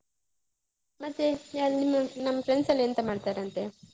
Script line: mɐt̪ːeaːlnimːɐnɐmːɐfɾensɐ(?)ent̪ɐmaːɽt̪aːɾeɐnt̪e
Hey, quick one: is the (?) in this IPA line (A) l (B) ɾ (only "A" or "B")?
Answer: A